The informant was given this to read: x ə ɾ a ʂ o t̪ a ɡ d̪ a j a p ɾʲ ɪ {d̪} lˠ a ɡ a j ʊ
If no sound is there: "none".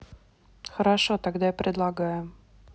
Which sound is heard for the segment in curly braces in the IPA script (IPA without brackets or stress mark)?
d̪